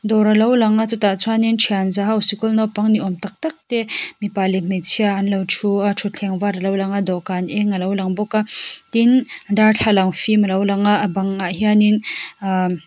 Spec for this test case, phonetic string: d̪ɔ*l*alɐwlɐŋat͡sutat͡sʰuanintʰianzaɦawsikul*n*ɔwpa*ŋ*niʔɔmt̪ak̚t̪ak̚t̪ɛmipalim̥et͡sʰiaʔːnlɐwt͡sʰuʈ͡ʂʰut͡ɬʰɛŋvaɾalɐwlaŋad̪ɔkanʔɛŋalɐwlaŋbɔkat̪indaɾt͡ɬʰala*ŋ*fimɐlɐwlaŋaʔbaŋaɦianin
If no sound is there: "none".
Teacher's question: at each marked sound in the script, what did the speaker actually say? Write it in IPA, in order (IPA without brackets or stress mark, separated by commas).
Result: ɾ, n, ŋ, ŋ